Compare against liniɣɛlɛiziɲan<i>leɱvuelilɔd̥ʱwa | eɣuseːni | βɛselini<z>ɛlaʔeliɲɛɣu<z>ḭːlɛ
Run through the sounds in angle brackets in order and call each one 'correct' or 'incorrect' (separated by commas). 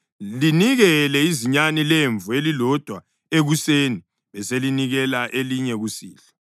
correct, incorrect, incorrect